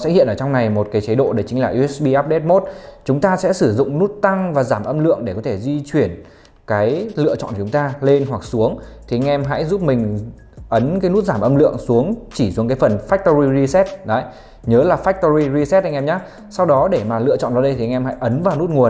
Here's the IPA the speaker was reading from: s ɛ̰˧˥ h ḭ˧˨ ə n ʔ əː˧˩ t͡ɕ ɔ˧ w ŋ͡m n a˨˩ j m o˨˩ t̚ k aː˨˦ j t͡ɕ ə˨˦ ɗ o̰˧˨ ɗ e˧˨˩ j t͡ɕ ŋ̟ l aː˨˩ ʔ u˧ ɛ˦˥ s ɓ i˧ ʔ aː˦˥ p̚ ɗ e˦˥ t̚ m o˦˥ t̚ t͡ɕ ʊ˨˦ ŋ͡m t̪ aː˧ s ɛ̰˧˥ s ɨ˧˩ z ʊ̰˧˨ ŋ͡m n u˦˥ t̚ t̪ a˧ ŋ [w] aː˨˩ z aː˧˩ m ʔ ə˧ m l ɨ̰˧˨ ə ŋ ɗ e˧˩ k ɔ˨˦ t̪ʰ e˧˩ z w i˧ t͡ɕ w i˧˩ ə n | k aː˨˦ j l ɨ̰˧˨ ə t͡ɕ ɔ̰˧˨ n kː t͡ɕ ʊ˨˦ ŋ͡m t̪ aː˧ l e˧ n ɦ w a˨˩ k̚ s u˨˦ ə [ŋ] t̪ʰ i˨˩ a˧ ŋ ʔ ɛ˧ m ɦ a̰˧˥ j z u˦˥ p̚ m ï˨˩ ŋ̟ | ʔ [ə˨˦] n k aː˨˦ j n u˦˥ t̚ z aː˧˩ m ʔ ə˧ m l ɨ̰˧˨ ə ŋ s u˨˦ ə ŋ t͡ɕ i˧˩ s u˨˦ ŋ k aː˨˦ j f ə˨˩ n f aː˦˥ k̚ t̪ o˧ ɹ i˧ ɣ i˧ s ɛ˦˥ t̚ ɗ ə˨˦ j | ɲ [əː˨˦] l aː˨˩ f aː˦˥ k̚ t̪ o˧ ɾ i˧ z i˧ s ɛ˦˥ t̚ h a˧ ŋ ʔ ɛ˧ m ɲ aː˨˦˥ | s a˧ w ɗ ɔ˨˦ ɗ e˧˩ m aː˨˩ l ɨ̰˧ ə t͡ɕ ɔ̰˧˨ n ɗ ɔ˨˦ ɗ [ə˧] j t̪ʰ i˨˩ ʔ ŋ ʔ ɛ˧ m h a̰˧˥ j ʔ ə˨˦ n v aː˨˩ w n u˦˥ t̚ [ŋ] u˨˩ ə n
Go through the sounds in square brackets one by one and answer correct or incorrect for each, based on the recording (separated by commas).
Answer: incorrect, correct, correct, correct, correct, correct